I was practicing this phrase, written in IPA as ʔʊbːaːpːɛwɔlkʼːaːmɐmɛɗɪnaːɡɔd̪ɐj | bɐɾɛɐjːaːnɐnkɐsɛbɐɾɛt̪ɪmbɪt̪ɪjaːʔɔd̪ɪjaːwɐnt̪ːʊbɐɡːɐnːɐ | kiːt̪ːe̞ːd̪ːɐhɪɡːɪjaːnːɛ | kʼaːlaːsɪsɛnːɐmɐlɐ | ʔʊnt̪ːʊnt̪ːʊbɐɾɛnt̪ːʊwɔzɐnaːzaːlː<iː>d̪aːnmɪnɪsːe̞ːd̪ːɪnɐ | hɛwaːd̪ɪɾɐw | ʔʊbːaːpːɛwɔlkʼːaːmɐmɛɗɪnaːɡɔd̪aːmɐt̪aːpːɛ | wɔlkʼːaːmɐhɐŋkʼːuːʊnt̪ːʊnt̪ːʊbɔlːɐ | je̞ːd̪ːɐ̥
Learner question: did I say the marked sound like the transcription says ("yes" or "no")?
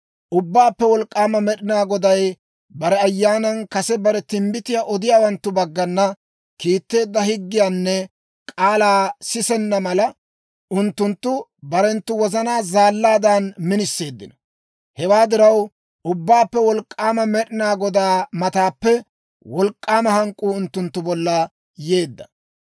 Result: no